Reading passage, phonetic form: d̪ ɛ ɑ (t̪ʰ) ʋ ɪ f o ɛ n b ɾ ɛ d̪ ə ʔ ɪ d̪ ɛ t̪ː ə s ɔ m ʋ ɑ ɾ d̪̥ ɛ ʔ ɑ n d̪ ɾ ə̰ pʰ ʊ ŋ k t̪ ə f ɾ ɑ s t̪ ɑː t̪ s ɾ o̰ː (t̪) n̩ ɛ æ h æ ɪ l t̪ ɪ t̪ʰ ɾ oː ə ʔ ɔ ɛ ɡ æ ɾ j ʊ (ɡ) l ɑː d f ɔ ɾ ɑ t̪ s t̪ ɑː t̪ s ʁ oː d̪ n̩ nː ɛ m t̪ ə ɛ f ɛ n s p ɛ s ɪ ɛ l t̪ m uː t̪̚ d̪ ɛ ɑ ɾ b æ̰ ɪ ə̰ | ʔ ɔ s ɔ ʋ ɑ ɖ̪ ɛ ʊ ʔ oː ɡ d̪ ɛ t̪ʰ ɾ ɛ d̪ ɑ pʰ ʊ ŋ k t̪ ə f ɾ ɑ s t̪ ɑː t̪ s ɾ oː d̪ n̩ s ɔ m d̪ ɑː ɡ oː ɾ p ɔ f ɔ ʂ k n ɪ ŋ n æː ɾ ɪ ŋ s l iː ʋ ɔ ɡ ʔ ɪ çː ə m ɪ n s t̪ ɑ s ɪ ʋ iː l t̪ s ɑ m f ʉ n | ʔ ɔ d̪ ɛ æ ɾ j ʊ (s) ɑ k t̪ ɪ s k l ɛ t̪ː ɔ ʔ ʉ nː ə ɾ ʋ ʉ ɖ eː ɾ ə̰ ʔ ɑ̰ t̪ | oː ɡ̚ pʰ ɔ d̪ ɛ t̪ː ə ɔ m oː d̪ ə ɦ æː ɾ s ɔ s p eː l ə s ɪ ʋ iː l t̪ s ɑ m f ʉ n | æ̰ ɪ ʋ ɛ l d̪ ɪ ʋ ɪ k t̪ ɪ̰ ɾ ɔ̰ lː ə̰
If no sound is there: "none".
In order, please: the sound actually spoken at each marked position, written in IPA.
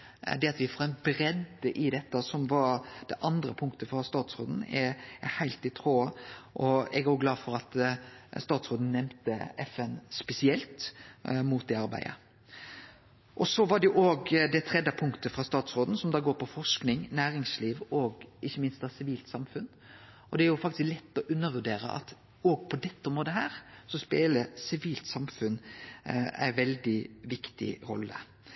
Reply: t̪, d̪, ɡ, f

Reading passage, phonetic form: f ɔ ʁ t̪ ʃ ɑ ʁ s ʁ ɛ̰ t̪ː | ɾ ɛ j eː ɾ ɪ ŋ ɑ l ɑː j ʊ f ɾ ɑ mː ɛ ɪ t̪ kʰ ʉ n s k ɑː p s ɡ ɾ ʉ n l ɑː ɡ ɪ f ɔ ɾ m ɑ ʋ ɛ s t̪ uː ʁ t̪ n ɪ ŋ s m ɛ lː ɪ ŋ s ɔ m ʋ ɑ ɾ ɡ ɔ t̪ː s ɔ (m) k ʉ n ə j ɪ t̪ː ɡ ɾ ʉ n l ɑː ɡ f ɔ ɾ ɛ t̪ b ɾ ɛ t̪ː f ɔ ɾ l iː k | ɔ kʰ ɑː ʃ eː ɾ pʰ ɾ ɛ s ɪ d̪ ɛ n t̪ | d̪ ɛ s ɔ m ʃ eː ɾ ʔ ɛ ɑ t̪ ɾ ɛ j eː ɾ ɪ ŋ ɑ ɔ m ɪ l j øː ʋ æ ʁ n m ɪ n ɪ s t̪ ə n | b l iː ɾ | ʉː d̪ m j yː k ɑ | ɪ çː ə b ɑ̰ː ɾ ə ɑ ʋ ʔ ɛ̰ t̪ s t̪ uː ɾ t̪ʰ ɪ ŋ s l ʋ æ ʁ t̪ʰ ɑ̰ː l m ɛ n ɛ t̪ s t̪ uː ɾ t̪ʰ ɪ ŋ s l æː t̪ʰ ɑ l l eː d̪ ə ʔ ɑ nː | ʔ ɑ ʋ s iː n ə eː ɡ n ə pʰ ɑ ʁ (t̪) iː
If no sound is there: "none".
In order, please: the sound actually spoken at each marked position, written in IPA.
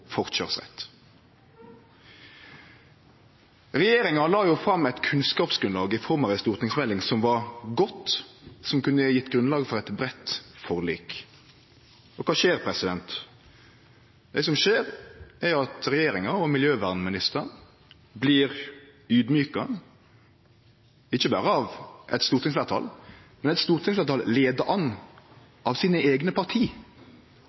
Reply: m, t̪ʰ

